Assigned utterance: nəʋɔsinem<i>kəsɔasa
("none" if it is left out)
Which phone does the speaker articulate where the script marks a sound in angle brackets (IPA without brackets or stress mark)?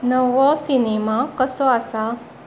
a